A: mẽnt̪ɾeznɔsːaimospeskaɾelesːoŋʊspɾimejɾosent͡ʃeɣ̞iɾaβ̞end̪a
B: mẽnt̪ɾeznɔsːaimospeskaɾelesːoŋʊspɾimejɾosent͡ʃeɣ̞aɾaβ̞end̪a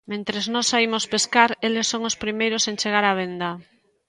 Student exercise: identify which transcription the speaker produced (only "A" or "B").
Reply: B